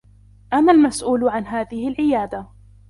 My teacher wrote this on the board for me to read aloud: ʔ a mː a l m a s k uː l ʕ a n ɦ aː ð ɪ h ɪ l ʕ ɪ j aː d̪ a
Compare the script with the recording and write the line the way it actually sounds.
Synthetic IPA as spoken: ʔ a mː a l m a s ʔ uː l ʕ a n ɦ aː ð ɪ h ɪ l ʕ ɪ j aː d̪ a